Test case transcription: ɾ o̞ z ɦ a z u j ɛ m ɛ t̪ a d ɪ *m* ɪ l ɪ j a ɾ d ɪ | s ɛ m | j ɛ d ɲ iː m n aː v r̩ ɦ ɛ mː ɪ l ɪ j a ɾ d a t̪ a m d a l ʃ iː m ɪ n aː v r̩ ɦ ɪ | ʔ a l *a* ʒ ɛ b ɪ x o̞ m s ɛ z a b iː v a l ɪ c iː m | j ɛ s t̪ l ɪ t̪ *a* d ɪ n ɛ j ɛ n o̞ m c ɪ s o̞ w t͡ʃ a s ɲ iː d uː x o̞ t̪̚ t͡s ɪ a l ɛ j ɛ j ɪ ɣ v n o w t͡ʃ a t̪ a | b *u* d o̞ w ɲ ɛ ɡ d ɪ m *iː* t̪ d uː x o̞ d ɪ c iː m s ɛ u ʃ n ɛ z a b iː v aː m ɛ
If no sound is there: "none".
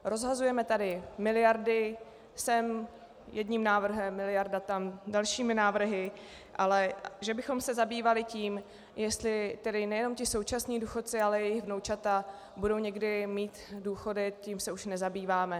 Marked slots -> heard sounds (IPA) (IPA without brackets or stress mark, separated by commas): m, ɛ, ɛ, u, iː